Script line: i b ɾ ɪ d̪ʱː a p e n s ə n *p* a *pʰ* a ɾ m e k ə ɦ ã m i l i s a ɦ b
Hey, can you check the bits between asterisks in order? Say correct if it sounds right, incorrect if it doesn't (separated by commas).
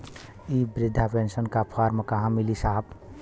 incorrect, correct